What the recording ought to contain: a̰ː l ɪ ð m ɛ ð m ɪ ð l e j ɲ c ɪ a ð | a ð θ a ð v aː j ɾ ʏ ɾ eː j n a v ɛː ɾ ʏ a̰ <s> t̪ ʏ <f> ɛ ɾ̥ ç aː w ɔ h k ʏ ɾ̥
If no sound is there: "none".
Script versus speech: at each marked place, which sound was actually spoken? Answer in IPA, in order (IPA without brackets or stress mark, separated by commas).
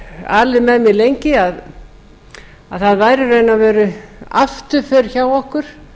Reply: f, f